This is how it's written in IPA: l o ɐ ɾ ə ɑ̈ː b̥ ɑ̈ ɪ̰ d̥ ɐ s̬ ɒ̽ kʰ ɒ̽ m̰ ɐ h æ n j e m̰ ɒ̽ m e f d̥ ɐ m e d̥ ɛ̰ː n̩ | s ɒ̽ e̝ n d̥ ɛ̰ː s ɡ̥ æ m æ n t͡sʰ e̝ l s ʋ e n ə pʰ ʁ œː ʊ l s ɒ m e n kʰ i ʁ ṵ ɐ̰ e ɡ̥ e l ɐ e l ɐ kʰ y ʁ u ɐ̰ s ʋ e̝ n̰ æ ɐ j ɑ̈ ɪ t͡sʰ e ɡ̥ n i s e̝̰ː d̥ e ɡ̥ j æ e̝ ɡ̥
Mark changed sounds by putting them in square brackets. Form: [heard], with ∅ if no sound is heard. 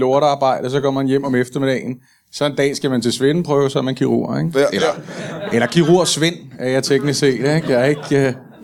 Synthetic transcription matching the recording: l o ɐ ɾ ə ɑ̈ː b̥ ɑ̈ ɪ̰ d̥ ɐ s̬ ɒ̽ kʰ ɒ̽ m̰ ɐ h æ n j e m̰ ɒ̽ m e f d̥ ɐ m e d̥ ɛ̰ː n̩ | s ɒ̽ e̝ n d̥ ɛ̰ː s ɡ̥ æ m æ n t͡sʰ e̝ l s ʋ e n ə pʰ ʁ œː ʊ [∅] s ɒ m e n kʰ i ʁ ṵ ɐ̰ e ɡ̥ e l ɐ e l ɐ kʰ [i] ʁ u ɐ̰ s ʋ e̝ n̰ æ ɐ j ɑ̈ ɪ t͡sʰ e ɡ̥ n i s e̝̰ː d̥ e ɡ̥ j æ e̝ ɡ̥